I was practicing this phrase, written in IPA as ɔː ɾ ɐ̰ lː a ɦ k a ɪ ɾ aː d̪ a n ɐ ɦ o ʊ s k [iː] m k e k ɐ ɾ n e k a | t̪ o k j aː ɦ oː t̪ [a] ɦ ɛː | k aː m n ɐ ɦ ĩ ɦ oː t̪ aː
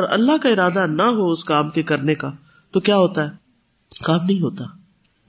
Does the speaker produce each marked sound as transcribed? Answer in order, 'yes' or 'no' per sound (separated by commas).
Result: no, yes